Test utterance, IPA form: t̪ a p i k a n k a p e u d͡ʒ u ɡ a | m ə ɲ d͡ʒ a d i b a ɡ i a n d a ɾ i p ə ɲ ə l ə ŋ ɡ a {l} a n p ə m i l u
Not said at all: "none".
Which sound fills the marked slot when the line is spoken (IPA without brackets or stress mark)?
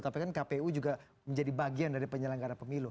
ɾ